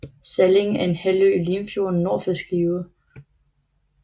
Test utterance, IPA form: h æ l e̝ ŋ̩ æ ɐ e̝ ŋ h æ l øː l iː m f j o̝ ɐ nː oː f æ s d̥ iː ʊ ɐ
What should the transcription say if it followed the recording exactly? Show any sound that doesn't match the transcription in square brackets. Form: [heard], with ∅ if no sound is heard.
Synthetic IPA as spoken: [s] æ l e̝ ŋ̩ æ ɐ e̝ [n] h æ l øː l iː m f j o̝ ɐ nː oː f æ s [ɡ̥] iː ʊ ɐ